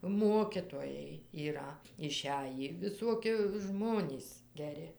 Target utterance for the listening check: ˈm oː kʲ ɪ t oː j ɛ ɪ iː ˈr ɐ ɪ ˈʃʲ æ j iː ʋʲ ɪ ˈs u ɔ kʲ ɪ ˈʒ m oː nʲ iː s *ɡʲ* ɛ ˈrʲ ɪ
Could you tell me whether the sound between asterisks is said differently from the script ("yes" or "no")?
no